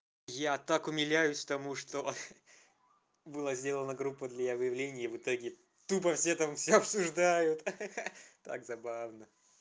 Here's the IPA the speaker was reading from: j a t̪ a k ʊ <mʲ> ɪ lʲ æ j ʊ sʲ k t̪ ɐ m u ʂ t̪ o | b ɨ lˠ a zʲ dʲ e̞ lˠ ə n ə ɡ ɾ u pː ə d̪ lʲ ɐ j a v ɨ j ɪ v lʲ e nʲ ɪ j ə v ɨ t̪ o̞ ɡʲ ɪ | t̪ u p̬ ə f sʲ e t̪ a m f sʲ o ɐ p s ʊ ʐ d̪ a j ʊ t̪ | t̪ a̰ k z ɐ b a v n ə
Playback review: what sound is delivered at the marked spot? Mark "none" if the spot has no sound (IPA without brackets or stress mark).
mʲ